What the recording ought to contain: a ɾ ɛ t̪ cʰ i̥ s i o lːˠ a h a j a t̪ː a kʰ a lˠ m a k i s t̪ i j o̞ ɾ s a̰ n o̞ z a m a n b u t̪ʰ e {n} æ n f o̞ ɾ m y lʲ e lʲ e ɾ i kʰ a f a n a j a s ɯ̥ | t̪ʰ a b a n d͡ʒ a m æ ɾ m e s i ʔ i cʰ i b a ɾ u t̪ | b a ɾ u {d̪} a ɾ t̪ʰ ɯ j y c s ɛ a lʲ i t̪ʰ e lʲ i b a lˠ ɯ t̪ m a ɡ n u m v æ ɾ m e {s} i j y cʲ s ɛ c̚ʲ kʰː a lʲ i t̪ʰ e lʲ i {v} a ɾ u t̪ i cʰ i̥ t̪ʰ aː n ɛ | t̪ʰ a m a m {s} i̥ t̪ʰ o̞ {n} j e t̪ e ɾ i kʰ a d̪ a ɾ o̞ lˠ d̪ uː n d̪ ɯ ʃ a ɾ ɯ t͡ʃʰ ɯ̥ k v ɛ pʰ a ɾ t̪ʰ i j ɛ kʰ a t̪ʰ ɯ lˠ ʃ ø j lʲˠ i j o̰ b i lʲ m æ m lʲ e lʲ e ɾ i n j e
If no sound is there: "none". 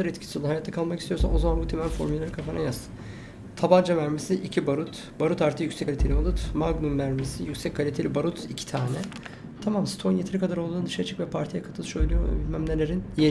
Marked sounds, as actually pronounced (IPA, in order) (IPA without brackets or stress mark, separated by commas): m, t̪, s, b, s, n